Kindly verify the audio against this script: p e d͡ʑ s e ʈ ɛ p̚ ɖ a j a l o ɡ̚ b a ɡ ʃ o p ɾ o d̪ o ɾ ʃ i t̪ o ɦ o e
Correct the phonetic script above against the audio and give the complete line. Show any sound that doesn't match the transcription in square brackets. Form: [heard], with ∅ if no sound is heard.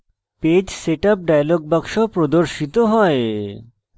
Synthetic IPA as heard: p e d͡ʑ s e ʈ [a] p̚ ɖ a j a l o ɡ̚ b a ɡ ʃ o p ɾ o d̪ o ɾ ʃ i t̪ o ɦ [ɔ] e